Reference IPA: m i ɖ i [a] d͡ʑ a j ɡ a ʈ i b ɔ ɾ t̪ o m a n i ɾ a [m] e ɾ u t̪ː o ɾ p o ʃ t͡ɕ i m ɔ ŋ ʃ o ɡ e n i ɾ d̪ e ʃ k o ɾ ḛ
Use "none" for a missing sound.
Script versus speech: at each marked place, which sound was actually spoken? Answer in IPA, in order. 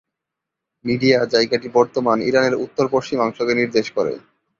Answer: a, n

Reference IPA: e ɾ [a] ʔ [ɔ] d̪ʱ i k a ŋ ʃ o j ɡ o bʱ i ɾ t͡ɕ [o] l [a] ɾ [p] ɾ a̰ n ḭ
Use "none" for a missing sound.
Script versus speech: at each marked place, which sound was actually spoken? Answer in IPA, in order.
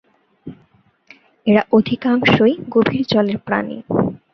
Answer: a, o, ɔ, e, p

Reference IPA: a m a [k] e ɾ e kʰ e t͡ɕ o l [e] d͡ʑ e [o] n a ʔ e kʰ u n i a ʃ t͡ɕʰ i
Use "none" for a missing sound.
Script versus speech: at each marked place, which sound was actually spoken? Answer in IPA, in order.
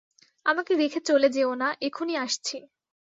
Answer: k, e, o

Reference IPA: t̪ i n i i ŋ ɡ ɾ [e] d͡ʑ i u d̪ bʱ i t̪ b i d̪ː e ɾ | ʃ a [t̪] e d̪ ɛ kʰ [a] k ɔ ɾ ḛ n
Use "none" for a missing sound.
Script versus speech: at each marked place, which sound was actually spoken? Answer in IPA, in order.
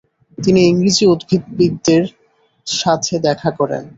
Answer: i, t̪ʰ, a

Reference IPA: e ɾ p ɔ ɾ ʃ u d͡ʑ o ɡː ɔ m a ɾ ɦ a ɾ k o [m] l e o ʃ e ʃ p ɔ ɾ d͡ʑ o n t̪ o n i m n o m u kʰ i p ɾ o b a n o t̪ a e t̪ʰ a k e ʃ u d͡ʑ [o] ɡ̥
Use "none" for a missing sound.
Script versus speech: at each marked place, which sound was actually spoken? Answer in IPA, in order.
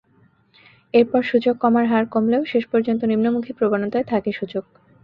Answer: m, o

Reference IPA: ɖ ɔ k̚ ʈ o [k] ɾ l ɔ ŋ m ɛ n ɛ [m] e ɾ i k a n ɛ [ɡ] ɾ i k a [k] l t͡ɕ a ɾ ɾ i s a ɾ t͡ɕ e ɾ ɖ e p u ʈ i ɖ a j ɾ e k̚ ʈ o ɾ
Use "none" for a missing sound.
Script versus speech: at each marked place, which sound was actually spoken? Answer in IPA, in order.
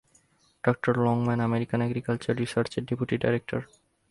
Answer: none, m, ɡ, none

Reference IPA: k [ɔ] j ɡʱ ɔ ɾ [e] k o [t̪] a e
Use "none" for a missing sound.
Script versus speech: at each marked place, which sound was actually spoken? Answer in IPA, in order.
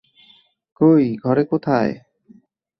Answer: o, e, t̪ʰ

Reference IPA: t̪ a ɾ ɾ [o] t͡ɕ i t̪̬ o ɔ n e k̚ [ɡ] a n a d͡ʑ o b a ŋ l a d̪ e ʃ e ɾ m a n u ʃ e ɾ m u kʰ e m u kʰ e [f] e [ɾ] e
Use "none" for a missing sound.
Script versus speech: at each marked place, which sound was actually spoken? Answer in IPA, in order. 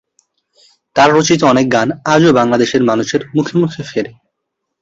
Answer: o, ɡ, f, ɾ

